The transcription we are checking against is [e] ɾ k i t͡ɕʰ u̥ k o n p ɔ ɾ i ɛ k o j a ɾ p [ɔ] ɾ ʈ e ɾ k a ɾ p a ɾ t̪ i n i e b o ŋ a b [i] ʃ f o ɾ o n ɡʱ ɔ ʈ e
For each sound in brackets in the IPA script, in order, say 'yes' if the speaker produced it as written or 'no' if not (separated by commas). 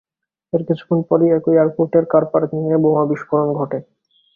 yes, no, yes